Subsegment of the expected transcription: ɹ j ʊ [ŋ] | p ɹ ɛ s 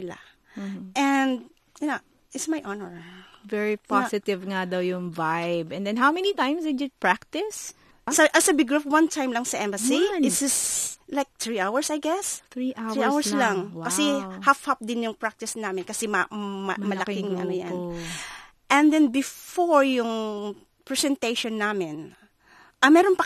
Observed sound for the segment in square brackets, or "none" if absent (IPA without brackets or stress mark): ŋ